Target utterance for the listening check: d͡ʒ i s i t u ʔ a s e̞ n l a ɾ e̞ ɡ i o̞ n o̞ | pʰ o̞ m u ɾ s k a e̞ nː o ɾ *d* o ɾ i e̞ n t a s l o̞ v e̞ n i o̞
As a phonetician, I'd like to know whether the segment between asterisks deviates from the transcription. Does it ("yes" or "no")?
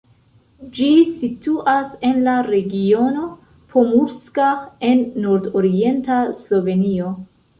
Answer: no